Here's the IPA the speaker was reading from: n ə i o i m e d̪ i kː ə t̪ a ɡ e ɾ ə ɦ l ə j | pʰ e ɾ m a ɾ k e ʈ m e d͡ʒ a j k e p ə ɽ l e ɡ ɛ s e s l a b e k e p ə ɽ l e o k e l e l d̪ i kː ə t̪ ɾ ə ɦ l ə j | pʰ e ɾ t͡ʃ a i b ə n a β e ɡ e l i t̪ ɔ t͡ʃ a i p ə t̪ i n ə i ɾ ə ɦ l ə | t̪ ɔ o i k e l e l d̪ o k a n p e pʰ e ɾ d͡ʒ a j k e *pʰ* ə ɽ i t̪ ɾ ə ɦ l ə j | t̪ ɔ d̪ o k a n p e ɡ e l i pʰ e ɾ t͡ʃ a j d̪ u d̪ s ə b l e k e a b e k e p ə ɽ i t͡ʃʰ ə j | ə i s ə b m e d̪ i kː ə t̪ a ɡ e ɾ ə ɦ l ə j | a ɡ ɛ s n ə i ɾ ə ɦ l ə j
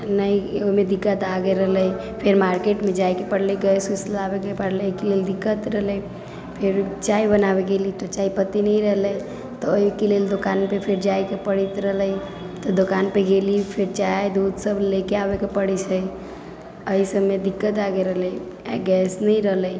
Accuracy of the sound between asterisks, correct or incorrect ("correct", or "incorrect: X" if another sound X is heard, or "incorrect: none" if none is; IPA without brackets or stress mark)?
incorrect: p